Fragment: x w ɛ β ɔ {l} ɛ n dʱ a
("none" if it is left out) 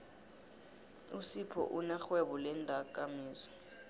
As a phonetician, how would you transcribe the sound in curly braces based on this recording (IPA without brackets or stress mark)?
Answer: l